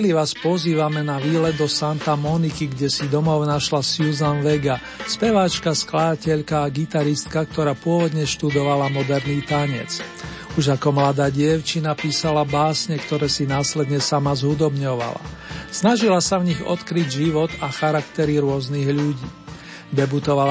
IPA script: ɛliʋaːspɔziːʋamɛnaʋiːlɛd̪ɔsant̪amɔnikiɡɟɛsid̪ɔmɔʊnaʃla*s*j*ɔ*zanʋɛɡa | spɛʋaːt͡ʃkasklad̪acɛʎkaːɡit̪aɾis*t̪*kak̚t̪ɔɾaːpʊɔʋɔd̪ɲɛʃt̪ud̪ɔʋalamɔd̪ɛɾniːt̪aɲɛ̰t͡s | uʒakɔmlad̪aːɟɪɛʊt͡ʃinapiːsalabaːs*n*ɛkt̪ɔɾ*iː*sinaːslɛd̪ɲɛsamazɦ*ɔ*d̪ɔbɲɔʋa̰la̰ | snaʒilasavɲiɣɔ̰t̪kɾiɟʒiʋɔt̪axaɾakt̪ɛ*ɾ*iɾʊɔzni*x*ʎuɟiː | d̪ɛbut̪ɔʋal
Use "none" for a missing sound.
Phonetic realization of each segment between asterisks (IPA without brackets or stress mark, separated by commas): s, u, t̪, ɲ, ɛː, u, ɾ, ɣ